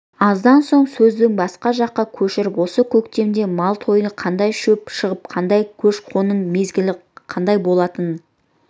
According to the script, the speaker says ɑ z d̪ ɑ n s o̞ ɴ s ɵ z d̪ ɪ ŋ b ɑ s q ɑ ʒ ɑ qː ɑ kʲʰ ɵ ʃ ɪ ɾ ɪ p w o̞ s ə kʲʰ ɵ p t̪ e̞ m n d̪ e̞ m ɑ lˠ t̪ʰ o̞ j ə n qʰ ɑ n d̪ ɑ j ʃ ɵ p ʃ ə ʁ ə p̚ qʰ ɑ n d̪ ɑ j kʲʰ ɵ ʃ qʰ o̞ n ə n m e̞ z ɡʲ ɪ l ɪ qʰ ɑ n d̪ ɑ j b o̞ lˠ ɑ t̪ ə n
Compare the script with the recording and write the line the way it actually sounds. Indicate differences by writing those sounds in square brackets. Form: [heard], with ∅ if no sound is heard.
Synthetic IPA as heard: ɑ z d̪ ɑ n s o̞ ɴ s ɵ z d̪ ɪ ŋ b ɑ s q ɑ ʒ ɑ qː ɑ kʲʰ ɵ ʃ ɪ ɾ ɪ p w o̞ s ə kʲʰ ɵ [k] t̪ e̞ m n d̪ e̞ m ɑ lˠ t̪ʰ o̞ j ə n qʰ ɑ n d̪ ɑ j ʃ ɵ p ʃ ə ʁ ə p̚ qʰ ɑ n d̪ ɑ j kʲʰ ɵ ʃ qʰ o̞ n ə n m e̞ z ɡʲ ɪ l ɪ qʰ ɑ n d̪ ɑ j b o̞ lˠ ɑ t̪ ə n